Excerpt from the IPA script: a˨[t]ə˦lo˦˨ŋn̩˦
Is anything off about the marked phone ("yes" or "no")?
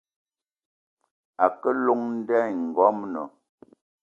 yes